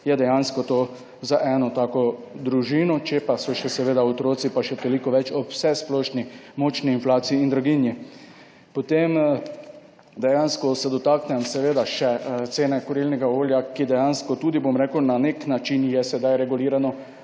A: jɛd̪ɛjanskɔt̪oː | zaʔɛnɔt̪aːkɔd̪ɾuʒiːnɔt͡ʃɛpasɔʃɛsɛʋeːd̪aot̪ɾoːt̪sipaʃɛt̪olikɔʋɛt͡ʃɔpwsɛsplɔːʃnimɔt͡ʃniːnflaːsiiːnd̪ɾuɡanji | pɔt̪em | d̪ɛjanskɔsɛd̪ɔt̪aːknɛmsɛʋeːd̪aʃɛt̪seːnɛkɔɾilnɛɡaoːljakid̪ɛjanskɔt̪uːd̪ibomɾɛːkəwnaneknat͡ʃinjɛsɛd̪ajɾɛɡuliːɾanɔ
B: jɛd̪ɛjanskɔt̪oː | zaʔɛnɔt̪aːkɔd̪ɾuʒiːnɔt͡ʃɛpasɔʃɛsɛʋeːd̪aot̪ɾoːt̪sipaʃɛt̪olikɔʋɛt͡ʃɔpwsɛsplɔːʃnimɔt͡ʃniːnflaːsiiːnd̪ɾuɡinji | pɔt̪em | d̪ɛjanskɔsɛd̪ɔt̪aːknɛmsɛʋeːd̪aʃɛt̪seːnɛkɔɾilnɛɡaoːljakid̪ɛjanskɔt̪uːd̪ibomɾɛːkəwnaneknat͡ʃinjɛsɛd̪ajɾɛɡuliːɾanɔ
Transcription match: B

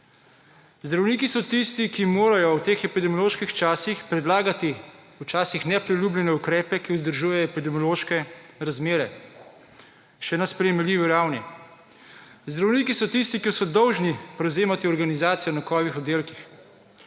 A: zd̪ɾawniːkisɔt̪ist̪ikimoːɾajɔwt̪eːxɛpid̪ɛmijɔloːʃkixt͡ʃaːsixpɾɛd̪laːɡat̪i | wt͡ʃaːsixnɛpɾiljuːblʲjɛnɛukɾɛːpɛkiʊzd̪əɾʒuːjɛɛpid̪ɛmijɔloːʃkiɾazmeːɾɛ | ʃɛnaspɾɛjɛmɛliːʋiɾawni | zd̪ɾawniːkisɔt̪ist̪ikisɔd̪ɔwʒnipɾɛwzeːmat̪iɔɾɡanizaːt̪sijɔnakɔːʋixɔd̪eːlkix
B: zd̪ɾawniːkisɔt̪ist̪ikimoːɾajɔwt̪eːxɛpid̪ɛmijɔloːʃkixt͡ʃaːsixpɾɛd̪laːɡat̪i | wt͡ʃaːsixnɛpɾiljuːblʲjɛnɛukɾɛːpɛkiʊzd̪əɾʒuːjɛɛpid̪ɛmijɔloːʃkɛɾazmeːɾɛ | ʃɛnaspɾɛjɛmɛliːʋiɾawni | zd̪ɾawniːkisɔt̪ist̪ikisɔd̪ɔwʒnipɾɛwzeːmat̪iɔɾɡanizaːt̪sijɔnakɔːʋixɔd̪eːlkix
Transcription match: B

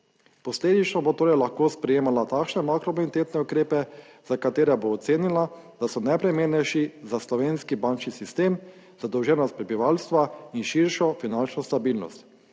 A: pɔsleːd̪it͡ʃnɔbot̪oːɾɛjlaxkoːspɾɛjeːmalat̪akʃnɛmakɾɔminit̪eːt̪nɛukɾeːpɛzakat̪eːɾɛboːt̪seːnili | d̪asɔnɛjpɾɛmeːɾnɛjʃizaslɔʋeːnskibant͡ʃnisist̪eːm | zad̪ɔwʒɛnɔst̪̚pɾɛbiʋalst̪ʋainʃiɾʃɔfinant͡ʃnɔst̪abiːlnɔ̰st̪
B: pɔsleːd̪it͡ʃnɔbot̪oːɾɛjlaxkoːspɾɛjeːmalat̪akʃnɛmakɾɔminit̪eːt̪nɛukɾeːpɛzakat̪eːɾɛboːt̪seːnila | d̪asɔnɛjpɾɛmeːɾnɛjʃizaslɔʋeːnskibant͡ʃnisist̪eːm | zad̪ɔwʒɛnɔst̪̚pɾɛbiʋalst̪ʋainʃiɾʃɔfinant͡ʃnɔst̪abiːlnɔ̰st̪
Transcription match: B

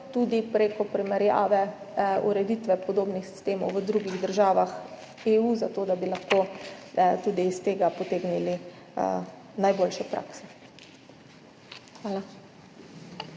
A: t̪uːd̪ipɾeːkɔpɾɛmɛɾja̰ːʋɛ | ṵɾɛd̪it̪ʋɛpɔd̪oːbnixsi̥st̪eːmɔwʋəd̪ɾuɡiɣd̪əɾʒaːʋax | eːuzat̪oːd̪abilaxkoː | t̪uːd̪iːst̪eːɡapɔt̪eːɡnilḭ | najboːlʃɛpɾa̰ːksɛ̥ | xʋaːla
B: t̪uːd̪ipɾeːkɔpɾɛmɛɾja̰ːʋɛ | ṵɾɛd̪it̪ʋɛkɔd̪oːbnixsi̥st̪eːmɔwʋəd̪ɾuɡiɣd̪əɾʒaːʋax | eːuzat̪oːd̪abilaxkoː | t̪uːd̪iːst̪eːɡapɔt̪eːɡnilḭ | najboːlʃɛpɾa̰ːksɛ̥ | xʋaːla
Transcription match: A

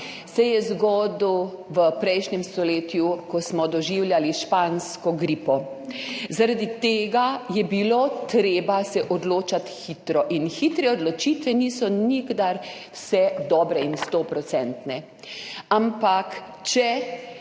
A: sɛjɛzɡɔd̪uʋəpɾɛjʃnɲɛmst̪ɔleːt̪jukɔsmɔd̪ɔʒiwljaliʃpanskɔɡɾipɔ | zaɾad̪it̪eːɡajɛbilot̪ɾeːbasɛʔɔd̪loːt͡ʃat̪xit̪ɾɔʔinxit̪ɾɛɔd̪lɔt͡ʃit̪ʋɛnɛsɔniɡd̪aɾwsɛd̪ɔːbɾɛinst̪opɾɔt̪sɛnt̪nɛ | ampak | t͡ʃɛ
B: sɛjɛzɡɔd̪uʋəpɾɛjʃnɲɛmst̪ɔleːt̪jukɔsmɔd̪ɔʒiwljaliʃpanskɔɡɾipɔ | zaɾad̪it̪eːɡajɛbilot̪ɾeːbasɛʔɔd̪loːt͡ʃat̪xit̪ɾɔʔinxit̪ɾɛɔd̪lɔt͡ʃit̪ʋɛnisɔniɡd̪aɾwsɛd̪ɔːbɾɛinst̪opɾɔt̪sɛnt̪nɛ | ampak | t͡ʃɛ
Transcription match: B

